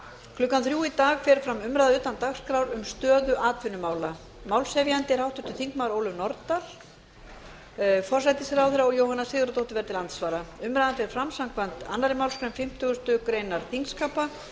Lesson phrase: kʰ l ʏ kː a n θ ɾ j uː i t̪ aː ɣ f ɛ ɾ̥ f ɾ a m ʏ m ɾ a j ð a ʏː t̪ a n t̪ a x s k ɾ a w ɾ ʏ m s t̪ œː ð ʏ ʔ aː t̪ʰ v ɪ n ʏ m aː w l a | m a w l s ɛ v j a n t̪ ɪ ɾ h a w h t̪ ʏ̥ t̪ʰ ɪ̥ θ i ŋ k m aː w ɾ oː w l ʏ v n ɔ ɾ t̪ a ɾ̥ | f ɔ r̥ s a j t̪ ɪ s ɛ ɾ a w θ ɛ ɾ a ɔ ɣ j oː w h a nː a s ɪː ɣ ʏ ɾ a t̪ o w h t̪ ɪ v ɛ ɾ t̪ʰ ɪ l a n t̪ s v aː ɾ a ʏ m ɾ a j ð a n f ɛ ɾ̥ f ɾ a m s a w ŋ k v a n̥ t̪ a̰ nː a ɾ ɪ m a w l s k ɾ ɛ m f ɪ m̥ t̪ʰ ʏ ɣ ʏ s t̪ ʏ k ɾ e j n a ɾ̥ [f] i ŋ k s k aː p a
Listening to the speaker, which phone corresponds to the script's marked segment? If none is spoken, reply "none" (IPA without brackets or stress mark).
θ